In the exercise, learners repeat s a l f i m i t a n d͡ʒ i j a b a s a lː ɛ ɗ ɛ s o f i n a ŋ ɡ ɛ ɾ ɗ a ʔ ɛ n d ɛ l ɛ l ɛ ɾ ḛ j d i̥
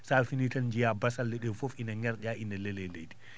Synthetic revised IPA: s a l f i n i t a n d͡ʒ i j a b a s a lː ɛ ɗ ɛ f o f i n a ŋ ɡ ɛ ɾ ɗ a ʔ i n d ɛ l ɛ l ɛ l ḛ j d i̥